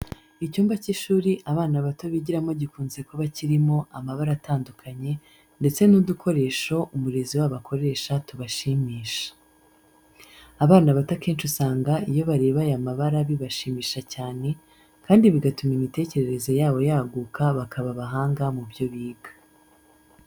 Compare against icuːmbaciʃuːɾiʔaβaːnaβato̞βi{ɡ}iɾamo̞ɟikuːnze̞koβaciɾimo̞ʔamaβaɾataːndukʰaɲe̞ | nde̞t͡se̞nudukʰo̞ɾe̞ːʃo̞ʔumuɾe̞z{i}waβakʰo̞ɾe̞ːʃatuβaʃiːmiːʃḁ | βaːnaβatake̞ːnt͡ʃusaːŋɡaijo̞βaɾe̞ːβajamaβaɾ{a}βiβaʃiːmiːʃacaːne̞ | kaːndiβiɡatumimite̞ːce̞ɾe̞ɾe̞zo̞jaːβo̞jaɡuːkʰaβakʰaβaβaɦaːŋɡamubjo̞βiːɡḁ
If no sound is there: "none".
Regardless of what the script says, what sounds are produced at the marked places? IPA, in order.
ɟ, i, a

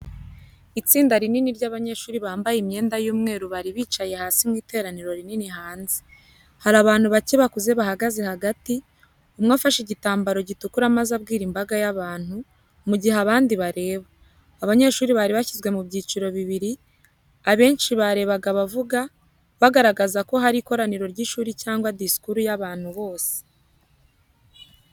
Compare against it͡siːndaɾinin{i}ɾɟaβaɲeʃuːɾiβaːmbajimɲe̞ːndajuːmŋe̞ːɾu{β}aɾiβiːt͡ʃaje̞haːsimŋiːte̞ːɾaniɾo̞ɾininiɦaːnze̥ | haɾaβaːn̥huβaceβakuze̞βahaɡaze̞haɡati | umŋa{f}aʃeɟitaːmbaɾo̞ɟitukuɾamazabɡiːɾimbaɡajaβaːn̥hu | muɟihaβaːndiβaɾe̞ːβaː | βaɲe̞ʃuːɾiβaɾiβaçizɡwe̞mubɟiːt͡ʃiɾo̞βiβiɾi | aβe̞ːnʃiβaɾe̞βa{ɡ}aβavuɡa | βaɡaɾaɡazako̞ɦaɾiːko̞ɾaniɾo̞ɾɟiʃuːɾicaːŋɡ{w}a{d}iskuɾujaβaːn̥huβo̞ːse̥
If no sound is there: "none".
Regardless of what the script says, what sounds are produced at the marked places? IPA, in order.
i, β, f, ɡ, w, d

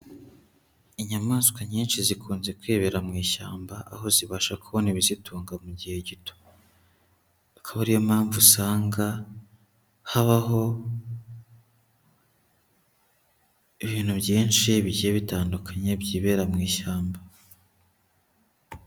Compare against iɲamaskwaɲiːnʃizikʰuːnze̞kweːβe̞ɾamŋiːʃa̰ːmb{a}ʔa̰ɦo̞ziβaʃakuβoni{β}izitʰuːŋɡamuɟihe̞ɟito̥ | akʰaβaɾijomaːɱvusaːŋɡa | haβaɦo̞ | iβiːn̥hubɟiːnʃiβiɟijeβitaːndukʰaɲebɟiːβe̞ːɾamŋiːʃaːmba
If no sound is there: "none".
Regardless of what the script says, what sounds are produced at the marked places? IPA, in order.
a, β

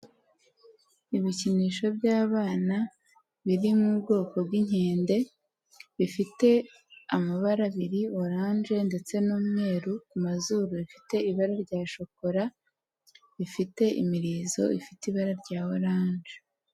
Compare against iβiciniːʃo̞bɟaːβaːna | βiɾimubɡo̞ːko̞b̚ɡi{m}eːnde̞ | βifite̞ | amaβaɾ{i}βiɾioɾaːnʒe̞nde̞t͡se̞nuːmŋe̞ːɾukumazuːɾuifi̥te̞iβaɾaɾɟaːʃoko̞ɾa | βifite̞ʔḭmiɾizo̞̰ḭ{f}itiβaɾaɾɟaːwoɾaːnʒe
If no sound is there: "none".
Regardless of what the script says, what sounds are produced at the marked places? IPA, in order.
ɲ, a, f

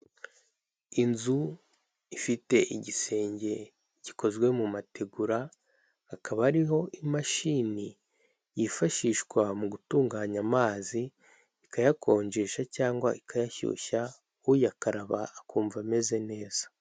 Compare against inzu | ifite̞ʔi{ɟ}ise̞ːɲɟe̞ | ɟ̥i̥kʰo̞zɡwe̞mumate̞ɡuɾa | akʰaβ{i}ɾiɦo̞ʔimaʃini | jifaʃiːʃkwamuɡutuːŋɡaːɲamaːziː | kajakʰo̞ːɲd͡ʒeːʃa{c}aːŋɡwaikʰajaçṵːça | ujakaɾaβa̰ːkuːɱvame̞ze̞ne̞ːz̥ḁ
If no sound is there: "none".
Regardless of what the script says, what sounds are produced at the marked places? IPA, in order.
ɟ, a, c

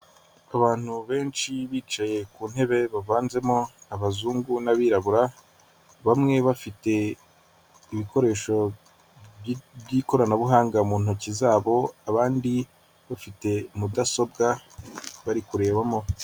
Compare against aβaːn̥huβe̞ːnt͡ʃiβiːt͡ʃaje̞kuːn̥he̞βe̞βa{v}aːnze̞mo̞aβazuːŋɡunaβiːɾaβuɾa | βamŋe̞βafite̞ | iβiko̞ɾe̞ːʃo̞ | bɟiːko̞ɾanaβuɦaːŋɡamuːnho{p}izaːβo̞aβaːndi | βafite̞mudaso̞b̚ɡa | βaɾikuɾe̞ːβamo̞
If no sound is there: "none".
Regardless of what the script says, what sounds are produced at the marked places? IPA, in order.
v, c

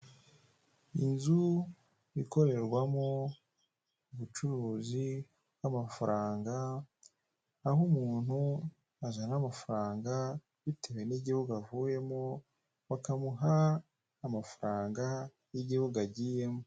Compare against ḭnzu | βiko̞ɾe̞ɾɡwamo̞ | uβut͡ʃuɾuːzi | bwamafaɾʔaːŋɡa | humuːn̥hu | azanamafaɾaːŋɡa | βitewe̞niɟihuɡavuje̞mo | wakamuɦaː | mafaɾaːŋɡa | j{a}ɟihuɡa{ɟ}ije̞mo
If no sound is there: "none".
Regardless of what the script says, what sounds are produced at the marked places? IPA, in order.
i, ɟ

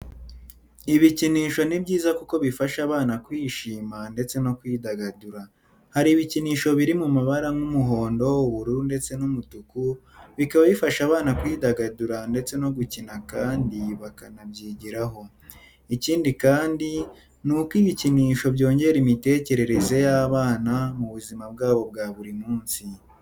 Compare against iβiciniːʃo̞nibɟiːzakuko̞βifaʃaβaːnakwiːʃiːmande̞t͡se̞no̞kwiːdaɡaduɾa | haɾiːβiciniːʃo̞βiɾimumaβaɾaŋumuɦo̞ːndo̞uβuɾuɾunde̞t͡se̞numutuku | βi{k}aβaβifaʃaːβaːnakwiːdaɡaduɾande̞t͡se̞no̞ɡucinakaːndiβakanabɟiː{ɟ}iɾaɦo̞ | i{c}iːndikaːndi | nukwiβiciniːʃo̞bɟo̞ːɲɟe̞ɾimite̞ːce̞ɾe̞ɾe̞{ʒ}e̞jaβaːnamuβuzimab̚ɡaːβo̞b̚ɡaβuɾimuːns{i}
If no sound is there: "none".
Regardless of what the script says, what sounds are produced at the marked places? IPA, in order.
k, ɟ, c, z, i

